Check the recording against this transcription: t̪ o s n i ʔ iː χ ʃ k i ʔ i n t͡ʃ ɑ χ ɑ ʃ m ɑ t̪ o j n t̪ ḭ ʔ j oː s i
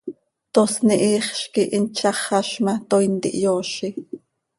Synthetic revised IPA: t̪ o s n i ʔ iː χ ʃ k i ʔ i n t͡ʃ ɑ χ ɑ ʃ m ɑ t̪ o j n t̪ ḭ ʔ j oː ʃ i